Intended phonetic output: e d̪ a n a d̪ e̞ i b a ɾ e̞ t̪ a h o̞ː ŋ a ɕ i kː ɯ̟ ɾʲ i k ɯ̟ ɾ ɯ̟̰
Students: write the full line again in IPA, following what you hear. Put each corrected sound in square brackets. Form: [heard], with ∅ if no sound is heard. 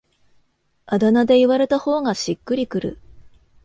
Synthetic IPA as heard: [a] d̪ a n a d̪ e̞ i [β] a ɾ e̞ t̪ a h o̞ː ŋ a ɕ i kː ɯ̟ ɾʲ i k ɯ̟ ɾ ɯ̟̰